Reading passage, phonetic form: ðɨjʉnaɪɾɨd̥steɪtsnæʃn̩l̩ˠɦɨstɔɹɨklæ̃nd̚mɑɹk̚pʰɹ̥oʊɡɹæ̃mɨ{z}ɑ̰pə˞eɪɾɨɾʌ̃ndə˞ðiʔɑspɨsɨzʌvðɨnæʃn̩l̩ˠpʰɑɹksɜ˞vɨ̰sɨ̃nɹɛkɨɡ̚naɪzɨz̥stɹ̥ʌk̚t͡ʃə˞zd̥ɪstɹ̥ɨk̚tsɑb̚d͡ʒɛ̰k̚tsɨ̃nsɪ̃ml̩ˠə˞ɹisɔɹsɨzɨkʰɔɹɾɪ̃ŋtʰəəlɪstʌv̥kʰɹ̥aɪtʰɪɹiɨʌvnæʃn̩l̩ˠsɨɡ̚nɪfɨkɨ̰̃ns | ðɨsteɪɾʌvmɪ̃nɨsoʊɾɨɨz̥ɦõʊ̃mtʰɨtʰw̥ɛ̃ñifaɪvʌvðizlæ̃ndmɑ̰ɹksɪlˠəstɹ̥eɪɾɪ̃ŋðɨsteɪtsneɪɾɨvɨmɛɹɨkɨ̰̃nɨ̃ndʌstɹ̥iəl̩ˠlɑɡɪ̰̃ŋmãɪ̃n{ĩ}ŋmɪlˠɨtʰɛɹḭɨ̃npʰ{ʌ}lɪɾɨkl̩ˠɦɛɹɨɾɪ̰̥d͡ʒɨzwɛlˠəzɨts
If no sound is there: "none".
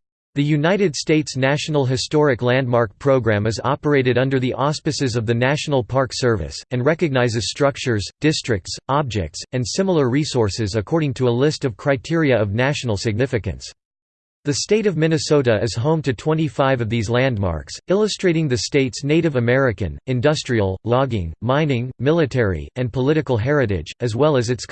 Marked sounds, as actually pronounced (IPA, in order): z, ɪ̃, ə

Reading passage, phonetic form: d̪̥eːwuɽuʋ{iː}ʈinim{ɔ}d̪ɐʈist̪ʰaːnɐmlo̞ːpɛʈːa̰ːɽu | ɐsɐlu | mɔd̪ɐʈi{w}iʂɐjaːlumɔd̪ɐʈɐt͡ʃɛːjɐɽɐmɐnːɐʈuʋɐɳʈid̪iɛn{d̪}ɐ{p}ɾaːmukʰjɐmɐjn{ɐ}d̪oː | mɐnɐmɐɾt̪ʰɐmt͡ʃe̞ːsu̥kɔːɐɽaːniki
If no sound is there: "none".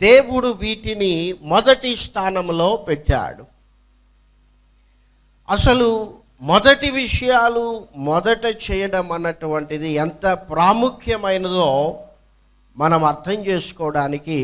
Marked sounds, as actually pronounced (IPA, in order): iː, ɔ, ʋ, t̪, p, ɐ

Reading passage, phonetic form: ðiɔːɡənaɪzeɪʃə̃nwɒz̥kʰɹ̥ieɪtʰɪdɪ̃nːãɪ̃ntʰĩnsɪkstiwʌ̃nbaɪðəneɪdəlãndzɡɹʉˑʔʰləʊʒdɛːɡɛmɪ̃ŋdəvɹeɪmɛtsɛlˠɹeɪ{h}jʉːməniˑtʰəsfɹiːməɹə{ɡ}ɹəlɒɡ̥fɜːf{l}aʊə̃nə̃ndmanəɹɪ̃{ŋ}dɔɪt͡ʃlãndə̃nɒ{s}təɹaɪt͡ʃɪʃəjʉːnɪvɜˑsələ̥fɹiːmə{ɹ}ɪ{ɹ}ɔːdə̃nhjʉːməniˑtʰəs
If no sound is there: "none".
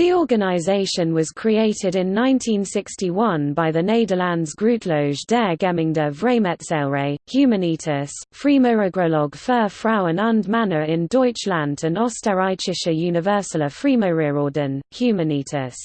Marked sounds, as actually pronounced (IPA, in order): h, ɡ, ɹ, n, s, ɹ, ɹ

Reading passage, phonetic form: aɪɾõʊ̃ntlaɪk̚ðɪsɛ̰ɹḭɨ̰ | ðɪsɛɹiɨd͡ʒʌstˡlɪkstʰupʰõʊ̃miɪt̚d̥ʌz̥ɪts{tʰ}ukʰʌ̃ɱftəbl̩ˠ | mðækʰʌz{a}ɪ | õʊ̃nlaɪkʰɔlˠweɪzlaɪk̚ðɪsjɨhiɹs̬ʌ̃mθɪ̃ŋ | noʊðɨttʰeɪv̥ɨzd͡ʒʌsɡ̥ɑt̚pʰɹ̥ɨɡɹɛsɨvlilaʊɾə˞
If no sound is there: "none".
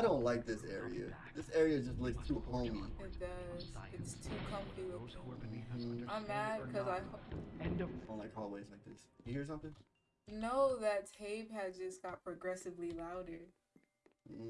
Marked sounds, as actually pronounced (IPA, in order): tʰ, a

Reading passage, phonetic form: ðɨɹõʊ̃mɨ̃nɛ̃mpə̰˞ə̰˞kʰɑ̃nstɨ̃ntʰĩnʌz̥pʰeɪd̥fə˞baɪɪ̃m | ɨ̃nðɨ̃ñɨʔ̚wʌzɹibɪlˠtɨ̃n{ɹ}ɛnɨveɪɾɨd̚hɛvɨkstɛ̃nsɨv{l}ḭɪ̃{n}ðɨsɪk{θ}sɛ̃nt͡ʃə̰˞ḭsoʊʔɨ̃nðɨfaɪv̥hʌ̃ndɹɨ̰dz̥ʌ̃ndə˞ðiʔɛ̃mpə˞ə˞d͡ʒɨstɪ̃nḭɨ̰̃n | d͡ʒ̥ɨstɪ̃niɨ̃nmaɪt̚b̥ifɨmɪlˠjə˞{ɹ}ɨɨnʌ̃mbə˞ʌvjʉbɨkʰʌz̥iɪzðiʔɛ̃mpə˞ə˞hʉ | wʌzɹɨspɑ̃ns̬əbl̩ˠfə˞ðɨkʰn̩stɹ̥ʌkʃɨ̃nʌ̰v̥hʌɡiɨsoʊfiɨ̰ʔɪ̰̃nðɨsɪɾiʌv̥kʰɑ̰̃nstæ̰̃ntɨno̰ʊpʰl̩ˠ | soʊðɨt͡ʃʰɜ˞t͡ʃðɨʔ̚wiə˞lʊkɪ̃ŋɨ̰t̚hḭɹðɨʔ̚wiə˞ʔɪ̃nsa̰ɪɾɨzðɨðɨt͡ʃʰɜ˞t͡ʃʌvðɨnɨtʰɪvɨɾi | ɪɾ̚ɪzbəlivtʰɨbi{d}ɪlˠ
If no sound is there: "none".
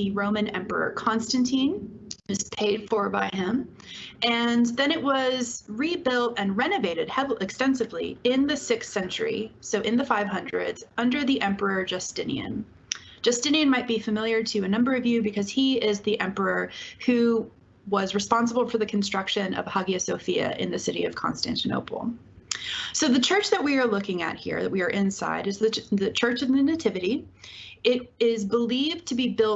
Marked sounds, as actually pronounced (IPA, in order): ɹ, l, n, s, ɾ, b

